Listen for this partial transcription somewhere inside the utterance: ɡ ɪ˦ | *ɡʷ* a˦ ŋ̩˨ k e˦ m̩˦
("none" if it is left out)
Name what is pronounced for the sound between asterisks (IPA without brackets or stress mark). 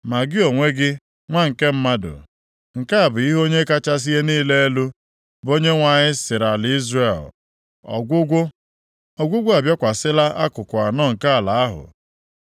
ŋʷ